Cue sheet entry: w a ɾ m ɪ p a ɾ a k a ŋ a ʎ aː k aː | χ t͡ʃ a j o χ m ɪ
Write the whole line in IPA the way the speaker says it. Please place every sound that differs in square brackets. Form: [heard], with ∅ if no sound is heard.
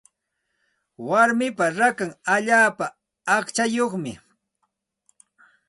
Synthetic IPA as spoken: w a ɾ m ɪ p a ɾ a k a ŋ a ʎ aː [p] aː | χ t͡ʃ a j o χ m ɪ